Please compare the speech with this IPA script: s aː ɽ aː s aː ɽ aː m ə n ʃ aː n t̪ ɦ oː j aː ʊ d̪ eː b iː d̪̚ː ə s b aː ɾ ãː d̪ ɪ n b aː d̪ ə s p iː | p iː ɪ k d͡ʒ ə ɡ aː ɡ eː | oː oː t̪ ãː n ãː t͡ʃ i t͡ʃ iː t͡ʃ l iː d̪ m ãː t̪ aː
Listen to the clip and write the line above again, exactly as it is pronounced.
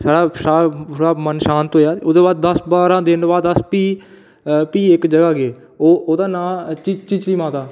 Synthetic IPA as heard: s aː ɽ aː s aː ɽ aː m ə n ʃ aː n t̪ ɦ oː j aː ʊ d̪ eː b aː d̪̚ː ə s b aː ɾ ãː d̪ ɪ n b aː d̪ ə s p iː | p iː ɪ k d͡ʒ ə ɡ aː ɡ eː | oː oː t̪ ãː n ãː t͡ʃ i t͡ʃ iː t͡ʃ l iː m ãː t̪ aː

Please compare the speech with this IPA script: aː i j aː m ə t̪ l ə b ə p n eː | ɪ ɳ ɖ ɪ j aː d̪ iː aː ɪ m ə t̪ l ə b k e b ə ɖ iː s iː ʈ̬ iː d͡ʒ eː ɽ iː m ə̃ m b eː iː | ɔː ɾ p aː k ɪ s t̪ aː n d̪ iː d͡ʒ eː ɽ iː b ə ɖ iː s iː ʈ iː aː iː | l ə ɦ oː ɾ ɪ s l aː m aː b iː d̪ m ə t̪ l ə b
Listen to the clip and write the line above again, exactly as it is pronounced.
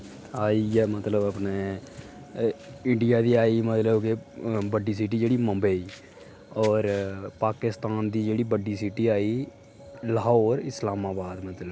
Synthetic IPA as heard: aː i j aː m ə t̪ l ə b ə p n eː | ɪ ɳ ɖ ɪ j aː d̪ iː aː i m ə t̪ l ə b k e b ə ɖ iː s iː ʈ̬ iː d͡ʒ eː ɽ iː m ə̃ m b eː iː | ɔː ɾ p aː k ɪ s t̪ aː n d̪ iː d͡ʒ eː ɽ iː b ə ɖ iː s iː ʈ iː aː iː | l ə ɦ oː ɾ ɪ s l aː m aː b aː d̪ m ə t̪ l ə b

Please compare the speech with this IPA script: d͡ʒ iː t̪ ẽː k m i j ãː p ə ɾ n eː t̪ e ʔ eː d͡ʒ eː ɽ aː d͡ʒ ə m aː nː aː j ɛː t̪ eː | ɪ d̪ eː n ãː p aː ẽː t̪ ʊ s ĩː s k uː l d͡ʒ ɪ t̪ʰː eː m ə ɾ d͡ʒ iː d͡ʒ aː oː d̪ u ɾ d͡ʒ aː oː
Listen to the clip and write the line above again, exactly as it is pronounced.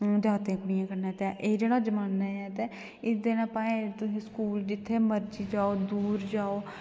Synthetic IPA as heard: d͡ʒ aː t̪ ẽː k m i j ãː k ə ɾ n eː t̪ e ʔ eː d͡ʒ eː ɽ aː d͡ʒ ə m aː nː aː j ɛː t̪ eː | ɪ d̪ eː n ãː p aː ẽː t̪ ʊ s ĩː s k uː l d͡ʒ ɪ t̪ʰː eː m ə ɾ d͡ʒ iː d͡ʒ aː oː d̪ uː ɾ d͡ʒ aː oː

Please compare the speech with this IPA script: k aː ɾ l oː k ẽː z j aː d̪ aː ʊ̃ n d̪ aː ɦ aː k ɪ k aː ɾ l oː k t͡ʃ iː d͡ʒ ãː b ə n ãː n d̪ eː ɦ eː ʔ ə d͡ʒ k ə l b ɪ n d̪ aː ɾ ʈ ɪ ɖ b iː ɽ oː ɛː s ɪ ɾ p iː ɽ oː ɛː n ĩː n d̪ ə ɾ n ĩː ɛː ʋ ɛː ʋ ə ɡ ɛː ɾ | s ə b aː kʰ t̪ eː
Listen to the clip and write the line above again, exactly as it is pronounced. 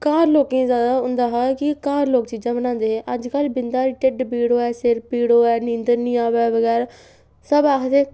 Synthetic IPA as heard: k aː ɾ l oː k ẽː z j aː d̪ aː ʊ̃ n d̪ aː ɦ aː k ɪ k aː ɾ l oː k t͡ʃ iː d͡ʒ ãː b ə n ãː n d̪ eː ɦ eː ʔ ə d͡ʒ k ə l b ɪ n d̪ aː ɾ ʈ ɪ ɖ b iː ɽ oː ɛː s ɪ ɾ p iː ɽ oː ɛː n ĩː n d̪ ə ɾ n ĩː aː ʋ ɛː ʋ ə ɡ ɛː ɾ | s ə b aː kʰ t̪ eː

